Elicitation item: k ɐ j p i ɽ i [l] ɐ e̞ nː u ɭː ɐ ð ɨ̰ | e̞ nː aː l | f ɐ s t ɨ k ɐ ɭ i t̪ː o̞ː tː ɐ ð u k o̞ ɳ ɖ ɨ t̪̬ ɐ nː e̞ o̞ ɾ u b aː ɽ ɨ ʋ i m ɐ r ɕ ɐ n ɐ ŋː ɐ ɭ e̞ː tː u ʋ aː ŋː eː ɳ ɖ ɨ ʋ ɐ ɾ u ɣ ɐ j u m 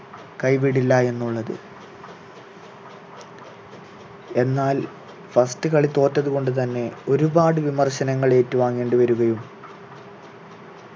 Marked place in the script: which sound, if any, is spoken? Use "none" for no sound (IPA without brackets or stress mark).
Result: lː